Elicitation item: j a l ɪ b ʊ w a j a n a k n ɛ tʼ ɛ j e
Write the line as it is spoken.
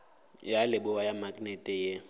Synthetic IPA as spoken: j a l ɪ b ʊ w a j a m a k n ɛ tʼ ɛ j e